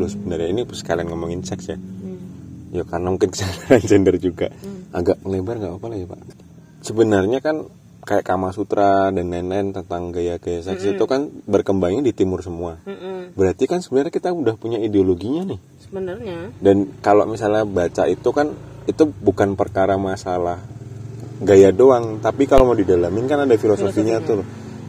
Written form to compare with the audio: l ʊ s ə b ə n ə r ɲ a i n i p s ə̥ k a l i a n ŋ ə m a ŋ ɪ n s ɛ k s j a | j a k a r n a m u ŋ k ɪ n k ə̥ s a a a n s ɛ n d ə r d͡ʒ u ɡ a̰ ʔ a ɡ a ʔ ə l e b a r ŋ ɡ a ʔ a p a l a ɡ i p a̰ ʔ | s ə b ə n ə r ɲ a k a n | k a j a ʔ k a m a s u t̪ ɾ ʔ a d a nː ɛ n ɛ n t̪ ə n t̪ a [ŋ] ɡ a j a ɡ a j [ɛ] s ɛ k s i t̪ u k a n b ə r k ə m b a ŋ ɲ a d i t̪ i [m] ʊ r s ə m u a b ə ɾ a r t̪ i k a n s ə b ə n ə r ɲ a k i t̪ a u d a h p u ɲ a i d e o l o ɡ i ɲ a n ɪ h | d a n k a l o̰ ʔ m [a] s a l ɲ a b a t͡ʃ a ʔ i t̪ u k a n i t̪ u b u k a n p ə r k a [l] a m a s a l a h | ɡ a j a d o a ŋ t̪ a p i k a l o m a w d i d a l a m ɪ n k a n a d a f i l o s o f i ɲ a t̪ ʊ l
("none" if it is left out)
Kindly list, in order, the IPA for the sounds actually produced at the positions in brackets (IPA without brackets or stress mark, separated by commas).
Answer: ŋ, a, m, i, ɾ